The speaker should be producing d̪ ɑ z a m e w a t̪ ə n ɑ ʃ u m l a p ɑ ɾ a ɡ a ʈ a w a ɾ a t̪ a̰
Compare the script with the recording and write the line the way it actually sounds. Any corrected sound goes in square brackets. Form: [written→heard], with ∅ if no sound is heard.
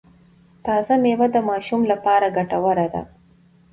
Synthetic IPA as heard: [d̪→t̪] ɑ z a m e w a [t̪→d̪] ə [n→m] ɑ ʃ u m l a p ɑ ɾ a ɡ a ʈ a w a ɾ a [t̪→d̪] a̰